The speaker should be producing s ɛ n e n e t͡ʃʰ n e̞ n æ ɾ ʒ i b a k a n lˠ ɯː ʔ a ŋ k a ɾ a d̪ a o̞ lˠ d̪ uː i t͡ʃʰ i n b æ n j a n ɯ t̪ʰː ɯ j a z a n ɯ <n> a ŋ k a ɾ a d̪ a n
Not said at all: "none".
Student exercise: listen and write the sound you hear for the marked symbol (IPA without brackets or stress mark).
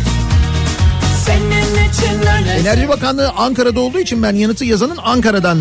n